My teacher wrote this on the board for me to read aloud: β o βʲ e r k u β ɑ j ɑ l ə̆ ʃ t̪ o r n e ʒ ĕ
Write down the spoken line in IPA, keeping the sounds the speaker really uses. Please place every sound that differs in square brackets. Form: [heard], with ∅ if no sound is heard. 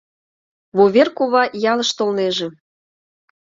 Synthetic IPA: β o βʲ e r k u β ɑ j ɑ l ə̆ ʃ t̪ o [l] n e ʒ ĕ